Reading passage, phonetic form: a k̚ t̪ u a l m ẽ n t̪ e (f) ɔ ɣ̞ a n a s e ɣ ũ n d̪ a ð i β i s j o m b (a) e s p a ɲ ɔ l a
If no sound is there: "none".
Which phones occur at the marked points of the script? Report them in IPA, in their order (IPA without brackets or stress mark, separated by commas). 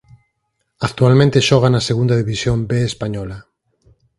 ʃ, e